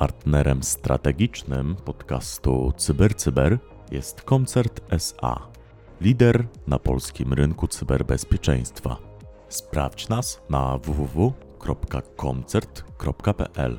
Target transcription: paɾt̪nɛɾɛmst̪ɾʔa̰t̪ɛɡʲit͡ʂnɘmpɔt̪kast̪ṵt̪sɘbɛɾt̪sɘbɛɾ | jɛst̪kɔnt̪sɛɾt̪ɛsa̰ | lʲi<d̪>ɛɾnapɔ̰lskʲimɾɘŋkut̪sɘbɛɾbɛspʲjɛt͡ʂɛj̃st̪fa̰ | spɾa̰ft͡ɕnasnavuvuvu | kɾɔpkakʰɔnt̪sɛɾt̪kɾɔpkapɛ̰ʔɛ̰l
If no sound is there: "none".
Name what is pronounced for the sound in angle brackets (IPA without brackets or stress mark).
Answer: d̪